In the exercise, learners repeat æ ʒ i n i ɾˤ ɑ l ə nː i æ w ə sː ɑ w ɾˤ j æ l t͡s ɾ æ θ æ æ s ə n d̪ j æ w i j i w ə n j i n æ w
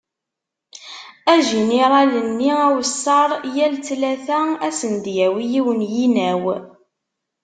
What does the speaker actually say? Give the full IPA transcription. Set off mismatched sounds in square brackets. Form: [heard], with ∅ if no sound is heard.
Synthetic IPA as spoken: æ ʒ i n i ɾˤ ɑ l ə nː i æ w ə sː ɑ [∅] ɾˤ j æ l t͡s [l] æ θ æ æ s ə n d̪ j æ w i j i w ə n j i n æ w